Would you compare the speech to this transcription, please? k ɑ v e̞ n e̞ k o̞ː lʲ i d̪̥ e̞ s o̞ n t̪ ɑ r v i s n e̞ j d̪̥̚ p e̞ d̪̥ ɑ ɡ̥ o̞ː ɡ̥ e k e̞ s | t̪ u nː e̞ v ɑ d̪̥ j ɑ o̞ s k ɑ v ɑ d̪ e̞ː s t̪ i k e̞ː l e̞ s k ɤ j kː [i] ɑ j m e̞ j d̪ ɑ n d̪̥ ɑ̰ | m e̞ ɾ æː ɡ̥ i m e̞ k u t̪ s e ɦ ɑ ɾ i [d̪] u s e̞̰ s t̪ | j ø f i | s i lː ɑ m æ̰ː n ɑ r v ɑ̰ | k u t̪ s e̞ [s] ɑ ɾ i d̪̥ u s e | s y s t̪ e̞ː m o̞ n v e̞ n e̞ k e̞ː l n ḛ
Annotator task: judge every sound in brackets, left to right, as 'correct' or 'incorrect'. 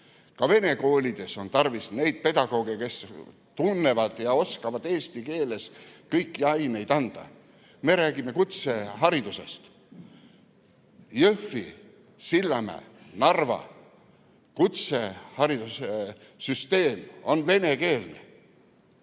correct, correct, incorrect

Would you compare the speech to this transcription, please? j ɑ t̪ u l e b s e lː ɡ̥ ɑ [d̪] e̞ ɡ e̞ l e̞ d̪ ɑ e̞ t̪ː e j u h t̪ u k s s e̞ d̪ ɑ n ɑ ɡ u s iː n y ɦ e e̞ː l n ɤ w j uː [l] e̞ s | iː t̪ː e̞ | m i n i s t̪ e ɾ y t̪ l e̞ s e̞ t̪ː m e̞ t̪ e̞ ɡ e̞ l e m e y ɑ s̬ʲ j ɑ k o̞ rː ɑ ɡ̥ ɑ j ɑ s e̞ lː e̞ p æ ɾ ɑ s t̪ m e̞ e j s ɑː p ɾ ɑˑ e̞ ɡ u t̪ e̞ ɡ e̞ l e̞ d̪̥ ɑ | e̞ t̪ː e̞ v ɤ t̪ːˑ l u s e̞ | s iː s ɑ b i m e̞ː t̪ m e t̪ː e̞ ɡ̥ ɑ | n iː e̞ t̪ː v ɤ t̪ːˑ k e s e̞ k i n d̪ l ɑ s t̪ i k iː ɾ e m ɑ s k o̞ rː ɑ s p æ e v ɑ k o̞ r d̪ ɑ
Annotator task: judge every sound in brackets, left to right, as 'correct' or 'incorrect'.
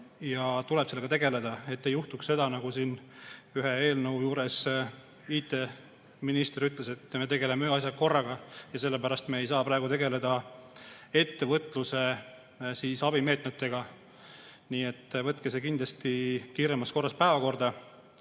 incorrect, incorrect

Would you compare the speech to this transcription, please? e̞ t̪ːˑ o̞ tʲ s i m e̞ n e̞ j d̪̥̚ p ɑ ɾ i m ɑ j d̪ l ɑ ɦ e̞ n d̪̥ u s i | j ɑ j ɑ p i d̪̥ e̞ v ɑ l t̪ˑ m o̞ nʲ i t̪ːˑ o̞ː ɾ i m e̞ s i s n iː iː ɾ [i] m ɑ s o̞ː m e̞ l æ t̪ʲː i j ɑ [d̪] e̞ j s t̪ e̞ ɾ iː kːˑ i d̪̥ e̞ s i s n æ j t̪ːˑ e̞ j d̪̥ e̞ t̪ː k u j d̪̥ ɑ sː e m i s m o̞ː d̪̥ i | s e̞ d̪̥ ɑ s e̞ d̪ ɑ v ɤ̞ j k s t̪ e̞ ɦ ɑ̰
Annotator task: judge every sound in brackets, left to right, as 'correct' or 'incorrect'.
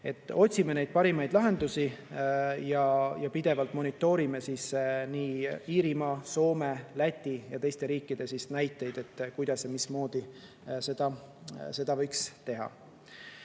correct, incorrect

